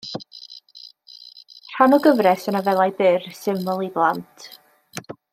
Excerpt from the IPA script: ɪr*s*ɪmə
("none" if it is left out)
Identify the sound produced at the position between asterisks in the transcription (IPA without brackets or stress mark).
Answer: s